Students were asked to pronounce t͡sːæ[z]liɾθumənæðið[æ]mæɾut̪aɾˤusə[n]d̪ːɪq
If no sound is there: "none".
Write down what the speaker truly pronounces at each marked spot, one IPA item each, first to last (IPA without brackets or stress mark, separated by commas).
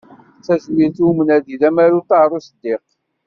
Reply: z, æ, none